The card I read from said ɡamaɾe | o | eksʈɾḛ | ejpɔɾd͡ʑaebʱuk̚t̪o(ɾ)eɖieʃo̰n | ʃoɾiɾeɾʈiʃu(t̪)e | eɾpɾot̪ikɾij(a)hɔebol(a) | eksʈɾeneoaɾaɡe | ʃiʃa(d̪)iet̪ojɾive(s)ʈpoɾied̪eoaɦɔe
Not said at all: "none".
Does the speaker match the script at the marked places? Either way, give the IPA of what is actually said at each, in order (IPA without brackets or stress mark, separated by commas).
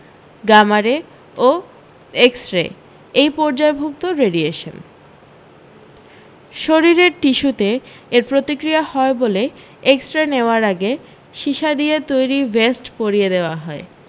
ɾ, t̪, a, e, d̪, s